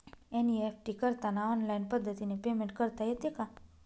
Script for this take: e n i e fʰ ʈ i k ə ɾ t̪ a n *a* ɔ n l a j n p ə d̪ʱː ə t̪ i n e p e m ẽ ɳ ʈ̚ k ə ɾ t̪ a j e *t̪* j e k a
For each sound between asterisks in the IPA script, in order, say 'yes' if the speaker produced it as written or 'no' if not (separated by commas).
yes, yes